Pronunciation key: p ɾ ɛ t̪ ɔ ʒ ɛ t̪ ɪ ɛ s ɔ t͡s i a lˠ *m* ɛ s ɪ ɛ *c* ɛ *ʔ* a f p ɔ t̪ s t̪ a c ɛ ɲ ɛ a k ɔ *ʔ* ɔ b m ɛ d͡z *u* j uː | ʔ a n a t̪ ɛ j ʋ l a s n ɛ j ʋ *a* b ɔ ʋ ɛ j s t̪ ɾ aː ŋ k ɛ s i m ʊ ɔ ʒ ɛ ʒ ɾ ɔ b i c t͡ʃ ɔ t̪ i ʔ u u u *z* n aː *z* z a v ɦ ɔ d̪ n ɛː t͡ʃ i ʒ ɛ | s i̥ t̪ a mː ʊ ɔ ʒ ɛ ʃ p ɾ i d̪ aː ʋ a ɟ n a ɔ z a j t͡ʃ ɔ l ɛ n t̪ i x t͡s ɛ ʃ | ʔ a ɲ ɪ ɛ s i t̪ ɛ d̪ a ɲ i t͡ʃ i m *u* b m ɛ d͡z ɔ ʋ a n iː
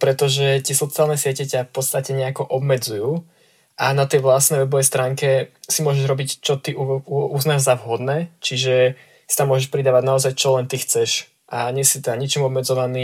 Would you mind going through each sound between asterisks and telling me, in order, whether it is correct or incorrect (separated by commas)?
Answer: incorrect, correct, incorrect, correct, correct, incorrect, correct, incorrect, incorrect